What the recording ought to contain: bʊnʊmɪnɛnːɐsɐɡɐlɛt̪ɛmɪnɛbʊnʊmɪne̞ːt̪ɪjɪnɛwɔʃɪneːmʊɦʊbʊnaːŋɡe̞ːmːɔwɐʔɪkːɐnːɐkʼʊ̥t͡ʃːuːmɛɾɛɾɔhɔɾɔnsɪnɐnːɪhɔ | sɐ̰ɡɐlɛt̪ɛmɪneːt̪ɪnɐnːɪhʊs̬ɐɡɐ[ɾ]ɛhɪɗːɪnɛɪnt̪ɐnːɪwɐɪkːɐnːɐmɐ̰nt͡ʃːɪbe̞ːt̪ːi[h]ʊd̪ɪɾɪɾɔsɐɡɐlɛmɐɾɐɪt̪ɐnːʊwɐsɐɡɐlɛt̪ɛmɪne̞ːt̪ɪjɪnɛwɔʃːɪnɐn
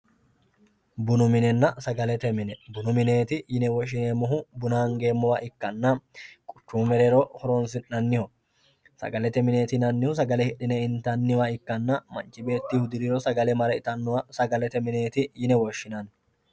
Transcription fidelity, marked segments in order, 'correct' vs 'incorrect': incorrect: l, correct

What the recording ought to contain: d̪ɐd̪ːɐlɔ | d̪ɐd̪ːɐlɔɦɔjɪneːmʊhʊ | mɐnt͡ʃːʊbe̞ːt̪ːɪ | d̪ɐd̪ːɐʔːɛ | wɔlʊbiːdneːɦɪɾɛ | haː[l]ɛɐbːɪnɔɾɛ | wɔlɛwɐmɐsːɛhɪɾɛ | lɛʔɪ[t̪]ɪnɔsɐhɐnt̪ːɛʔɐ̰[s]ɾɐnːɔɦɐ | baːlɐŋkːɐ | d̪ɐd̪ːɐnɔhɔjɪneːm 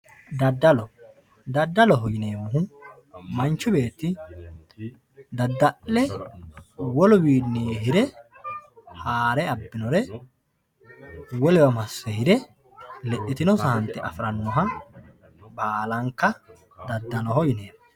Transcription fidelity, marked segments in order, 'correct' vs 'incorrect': incorrect: ɾ, correct, incorrect: f

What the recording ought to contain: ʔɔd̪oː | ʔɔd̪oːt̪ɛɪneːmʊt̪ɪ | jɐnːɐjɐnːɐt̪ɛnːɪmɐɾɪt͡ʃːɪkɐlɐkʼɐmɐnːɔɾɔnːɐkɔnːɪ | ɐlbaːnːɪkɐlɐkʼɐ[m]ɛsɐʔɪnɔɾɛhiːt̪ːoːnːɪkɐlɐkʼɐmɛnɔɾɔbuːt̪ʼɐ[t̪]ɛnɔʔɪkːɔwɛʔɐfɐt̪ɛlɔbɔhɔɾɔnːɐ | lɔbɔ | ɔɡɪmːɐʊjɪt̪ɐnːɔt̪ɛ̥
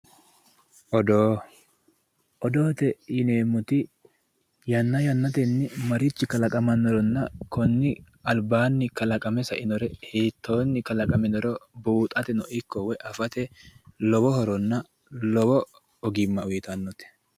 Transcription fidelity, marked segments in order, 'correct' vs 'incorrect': correct, correct

